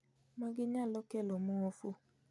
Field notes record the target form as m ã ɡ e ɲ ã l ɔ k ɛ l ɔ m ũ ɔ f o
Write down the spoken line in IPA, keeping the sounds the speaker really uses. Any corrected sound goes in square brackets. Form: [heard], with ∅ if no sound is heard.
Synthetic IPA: m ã ɡ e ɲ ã l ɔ k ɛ l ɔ m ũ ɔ f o